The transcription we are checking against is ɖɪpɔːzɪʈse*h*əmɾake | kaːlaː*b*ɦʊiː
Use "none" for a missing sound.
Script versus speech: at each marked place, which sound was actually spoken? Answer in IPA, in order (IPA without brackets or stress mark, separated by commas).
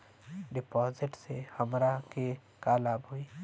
h, b